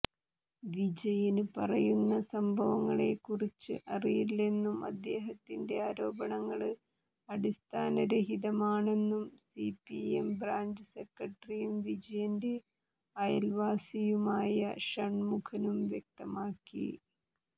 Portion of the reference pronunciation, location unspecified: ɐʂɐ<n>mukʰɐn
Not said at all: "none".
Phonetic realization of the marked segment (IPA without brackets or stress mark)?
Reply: ɳ